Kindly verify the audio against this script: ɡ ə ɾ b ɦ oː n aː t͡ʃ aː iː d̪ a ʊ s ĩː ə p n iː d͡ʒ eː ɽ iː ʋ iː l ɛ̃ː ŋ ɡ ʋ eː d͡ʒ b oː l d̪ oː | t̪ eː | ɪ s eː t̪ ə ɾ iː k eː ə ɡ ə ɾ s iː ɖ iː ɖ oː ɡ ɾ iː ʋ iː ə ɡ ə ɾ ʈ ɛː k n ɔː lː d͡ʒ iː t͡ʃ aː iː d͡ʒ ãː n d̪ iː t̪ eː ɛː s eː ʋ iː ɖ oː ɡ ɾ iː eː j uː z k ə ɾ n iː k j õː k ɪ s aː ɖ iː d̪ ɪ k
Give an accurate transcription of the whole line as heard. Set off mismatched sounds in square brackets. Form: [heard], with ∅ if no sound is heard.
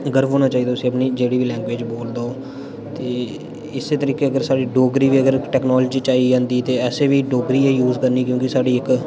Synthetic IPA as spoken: ɡ ə ɾ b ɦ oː n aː t͡ʃ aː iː d̪ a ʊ s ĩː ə p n iː d͡ʒ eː ɽ iː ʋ iː l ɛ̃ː ŋ ɡ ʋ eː d͡ʒ b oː l d̪ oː | t̪ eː | ɪ s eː t̪ ə ɾ iː k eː ə ɡ ə ɾ s [aː] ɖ iː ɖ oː ɡ ɾ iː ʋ iː ə ɡ ə ɾ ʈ ɛː k n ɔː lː d͡ʒ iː t͡ʃ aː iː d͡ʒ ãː n d̪ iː t̪ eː ɛː s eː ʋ iː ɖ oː ɡ ɾ iː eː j uː z k ə ɾ n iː k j õː k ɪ s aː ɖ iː [∅] ɪ k